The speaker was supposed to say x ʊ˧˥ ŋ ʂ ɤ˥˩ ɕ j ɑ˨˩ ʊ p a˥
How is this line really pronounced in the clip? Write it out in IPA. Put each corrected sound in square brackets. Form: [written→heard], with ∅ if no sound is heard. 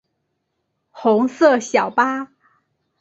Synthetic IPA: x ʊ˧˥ ŋ [ʂ→s] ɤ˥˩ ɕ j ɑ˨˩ ʊ p a˥